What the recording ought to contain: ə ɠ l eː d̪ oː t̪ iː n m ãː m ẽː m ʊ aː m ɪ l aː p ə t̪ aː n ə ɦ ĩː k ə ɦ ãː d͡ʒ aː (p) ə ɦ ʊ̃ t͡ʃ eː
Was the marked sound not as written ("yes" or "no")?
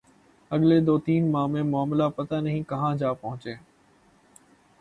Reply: no